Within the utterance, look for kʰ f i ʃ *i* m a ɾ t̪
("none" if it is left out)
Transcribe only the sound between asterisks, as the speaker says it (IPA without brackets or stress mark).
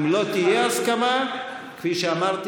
a